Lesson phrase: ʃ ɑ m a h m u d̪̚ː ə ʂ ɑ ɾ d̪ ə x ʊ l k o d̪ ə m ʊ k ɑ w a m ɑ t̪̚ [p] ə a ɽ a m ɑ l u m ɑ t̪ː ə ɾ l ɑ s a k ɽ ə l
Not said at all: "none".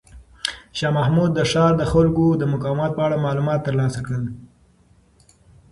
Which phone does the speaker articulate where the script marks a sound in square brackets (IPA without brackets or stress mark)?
p